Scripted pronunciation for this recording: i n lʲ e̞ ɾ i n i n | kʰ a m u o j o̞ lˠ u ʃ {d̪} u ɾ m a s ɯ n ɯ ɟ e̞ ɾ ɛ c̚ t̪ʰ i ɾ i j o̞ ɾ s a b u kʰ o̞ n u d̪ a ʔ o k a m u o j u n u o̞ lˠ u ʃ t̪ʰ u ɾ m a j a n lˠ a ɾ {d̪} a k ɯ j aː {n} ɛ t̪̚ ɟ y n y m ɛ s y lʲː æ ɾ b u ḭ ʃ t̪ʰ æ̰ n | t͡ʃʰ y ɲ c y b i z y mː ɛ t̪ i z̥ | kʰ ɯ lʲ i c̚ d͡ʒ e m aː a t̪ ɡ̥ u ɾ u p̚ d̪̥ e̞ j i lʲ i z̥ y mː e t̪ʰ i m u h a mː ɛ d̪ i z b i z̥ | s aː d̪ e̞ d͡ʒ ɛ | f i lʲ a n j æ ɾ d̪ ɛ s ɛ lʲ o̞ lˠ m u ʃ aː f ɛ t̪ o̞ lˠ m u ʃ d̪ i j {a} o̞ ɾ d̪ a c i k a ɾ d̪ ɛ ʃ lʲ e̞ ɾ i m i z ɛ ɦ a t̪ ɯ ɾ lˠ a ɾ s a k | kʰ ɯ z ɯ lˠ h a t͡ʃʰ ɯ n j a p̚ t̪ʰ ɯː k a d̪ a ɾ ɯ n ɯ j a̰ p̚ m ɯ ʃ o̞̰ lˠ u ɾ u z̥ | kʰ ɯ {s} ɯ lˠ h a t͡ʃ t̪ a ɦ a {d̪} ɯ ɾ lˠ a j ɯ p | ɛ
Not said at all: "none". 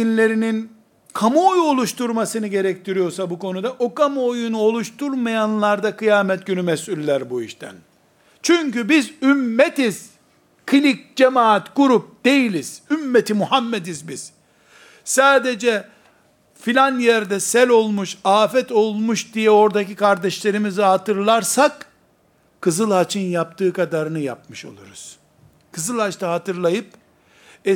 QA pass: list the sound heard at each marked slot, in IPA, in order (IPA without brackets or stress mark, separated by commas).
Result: t̪, d̪, m, ɛ, z, t̪